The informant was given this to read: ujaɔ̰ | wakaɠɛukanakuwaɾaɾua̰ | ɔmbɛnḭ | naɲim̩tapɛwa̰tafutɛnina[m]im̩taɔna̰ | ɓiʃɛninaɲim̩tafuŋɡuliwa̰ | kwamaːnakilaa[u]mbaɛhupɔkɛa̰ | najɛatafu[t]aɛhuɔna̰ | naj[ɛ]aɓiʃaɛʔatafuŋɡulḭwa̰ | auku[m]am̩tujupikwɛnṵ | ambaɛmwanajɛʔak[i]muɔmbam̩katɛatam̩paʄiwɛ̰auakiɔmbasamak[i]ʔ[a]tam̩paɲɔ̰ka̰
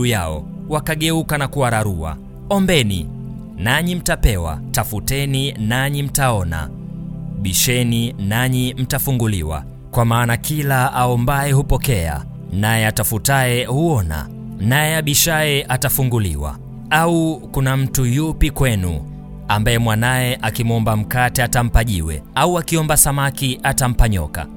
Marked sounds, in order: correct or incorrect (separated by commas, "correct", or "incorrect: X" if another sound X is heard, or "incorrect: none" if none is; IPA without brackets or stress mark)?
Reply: incorrect: ɲ, incorrect: ɔ, correct, correct, incorrect: n, correct, correct, correct